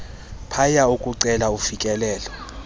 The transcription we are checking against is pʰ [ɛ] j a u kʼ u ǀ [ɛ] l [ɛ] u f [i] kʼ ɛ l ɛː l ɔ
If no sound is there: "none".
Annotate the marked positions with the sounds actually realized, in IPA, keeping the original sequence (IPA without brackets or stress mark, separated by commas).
a, ɛ, a, i